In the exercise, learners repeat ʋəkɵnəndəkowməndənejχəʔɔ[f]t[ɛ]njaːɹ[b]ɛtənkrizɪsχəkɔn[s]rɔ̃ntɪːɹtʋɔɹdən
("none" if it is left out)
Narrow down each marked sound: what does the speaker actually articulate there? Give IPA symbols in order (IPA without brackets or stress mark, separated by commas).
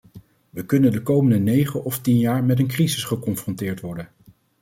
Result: f, i, m, f